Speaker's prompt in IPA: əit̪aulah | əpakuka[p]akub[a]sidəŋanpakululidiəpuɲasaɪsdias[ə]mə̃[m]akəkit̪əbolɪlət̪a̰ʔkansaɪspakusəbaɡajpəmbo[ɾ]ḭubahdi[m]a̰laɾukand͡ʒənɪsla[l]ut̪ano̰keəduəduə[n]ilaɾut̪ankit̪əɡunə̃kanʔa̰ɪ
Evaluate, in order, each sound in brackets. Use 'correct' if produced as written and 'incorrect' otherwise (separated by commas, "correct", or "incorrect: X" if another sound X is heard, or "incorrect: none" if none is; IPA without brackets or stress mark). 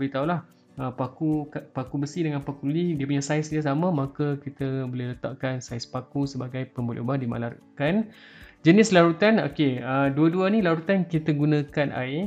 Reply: correct, incorrect: ə, incorrect: a, correct, incorrect: l, correct, incorrect: ɾ, correct